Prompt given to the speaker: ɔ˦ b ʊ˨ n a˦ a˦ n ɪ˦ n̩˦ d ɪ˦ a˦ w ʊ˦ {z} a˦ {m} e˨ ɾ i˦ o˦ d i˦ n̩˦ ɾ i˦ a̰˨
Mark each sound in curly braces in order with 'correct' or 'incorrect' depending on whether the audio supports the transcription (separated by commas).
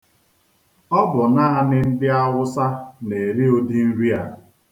incorrect, incorrect